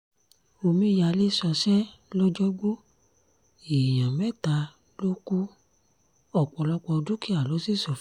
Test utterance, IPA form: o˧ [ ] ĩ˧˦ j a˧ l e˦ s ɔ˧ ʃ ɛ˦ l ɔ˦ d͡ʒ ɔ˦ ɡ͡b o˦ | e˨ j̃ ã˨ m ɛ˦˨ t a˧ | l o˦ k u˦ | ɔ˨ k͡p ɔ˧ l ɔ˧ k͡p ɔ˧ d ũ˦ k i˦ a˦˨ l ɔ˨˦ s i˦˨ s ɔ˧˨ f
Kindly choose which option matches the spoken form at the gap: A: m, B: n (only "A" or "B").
A